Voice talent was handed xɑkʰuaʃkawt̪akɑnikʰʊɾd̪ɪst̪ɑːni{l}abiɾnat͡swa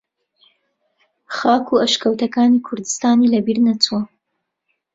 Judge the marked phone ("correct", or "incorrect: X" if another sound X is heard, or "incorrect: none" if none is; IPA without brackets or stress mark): correct